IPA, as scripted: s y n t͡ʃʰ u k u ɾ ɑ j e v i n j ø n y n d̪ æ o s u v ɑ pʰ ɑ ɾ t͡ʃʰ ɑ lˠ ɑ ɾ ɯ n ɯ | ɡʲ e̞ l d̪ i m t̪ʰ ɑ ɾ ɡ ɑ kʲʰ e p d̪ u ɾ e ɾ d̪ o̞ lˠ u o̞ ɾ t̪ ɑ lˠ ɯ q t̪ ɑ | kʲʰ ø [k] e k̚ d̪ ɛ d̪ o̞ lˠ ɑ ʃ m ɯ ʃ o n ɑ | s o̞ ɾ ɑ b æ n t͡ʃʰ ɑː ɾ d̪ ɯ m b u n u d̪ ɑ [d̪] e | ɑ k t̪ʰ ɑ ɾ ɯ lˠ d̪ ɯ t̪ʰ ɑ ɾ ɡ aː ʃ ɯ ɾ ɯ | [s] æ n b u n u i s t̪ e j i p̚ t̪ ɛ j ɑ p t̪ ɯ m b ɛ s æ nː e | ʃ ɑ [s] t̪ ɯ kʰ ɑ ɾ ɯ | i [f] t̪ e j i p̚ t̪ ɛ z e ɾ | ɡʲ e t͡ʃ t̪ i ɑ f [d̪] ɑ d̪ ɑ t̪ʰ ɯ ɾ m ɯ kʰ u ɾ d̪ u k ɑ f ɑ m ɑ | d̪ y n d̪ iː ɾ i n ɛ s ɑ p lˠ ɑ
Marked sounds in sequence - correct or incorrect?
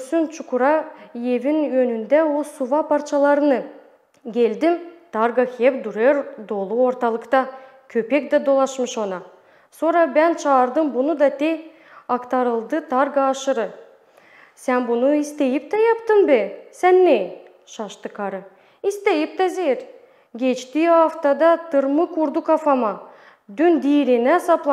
incorrect, incorrect, correct, incorrect, incorrect, incorrect

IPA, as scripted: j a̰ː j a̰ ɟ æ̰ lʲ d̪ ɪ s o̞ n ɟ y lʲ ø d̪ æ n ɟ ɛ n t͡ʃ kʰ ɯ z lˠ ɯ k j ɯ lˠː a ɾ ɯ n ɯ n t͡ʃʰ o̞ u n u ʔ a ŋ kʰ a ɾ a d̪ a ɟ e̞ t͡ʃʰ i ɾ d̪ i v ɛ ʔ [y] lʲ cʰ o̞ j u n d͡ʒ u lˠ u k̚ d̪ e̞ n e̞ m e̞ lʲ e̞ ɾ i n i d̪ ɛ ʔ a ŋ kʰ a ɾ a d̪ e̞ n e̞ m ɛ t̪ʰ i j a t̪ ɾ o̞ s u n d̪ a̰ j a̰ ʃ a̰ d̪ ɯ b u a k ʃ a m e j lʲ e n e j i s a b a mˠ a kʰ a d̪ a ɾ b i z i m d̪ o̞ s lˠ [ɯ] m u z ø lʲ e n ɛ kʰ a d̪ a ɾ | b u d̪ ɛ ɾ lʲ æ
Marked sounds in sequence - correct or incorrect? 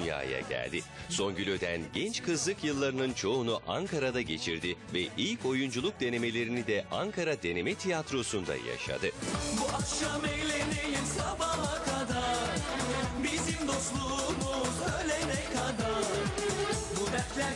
incorrect, incorrect

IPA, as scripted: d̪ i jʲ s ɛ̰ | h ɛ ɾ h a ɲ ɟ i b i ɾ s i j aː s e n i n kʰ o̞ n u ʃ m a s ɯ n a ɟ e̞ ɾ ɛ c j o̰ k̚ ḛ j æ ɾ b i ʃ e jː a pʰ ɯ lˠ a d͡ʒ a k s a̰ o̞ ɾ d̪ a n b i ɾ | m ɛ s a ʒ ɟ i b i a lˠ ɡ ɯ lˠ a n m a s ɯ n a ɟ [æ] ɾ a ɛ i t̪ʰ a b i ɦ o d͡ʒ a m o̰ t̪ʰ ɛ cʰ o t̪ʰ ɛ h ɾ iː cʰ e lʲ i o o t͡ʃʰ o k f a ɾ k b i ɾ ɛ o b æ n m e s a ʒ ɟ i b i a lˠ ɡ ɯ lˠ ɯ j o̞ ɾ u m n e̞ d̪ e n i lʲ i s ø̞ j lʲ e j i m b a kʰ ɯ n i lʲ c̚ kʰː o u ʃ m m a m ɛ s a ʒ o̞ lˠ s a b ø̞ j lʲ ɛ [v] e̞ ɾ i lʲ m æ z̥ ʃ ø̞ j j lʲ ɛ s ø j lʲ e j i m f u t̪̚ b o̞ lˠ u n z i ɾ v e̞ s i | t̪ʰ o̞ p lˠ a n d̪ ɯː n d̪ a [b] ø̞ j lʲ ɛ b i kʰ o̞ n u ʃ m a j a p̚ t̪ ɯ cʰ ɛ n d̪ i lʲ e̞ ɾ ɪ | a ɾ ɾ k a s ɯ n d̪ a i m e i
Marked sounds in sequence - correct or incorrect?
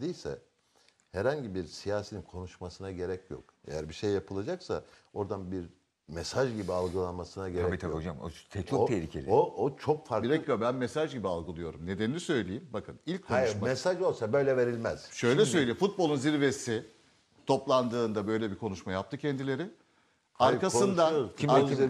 incorrect, correct, correct

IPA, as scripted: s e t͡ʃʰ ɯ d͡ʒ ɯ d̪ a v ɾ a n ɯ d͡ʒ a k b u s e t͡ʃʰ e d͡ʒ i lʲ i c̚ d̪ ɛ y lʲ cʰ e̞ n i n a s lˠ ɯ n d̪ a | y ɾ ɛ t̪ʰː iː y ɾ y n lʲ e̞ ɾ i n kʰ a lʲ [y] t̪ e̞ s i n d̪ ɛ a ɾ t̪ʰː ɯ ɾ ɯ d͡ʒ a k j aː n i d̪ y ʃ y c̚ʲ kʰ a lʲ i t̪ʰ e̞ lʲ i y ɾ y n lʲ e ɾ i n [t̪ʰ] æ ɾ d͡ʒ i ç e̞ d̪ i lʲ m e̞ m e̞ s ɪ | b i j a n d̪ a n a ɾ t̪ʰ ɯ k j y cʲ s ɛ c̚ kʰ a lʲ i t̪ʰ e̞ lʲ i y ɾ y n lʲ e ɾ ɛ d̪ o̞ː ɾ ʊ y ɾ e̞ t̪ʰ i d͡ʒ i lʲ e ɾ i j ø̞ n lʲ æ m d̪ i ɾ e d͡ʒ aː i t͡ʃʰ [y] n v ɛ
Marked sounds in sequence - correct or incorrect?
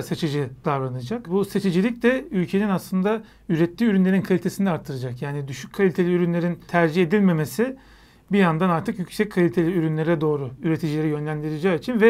incorrect, correct, incorrect

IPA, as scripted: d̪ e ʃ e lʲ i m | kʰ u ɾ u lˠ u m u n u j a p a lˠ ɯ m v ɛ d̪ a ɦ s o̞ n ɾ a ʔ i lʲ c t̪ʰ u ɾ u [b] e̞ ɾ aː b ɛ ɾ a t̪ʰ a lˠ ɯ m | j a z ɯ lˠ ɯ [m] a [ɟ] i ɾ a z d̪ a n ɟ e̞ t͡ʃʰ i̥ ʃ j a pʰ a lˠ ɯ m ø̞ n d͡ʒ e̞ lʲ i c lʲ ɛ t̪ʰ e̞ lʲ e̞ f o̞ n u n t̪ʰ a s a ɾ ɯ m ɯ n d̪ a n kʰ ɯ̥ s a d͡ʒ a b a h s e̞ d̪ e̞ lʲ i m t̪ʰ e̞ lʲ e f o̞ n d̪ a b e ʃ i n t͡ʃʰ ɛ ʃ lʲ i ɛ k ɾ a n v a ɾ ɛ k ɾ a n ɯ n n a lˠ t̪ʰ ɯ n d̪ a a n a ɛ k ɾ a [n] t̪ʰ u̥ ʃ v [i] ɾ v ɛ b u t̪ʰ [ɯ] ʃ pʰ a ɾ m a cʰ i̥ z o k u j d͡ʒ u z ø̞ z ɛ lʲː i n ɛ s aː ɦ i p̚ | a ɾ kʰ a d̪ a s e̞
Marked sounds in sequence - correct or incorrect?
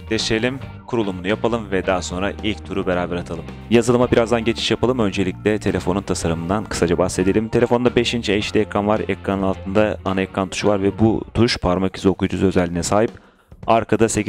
correct, correct, incorrect, correct, incorrect, incorrect

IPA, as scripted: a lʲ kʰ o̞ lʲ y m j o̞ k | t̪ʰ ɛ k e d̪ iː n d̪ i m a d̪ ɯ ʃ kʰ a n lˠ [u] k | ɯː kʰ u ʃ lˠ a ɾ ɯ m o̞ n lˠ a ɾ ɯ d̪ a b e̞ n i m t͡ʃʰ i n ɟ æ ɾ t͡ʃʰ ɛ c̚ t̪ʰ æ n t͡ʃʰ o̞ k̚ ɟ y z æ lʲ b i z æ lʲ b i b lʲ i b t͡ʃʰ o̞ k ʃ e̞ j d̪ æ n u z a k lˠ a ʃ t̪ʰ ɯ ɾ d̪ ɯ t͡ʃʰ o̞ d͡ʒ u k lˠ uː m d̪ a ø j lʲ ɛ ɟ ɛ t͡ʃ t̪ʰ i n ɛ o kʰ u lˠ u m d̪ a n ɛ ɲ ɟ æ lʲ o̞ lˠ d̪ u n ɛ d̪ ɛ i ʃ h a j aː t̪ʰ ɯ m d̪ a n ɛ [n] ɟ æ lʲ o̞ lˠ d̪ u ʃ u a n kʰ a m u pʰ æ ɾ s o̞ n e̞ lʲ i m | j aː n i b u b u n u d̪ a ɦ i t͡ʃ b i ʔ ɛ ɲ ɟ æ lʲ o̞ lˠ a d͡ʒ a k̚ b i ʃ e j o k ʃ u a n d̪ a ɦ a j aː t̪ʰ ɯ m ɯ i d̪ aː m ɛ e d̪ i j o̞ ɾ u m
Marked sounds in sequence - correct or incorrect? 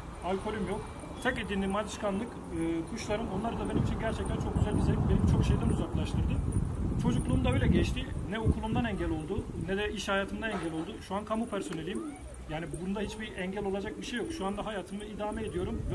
incorrect, incorrect

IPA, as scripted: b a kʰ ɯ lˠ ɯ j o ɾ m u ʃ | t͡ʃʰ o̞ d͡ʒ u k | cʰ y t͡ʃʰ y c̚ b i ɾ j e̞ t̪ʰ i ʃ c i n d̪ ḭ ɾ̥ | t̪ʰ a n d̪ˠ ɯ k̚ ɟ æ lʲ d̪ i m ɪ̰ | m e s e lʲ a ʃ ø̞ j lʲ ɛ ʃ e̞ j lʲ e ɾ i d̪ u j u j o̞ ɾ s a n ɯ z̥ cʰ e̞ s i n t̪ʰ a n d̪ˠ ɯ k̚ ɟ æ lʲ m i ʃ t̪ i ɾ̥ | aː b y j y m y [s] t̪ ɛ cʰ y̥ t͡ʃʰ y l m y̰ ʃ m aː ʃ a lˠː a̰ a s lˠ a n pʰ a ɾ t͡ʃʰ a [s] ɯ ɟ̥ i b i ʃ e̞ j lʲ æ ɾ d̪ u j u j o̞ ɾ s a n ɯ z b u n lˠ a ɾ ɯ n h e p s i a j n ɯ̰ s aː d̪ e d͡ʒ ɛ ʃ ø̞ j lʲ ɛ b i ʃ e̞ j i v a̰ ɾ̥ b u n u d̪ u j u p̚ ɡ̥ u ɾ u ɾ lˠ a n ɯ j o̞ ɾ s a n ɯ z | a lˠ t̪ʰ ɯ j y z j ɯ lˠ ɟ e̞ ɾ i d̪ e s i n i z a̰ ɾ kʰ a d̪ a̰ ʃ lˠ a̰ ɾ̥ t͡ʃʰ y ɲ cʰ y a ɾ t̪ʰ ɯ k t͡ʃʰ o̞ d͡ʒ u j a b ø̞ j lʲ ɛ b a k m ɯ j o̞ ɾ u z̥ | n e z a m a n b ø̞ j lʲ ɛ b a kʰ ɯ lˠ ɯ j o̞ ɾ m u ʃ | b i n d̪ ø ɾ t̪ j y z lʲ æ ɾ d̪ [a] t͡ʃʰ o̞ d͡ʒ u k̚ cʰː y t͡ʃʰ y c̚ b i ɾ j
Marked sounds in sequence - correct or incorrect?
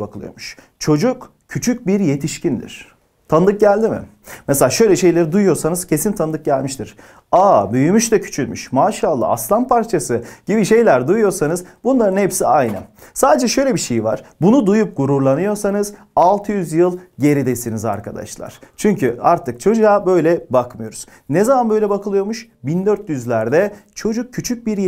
incorrect, correct, incorrect

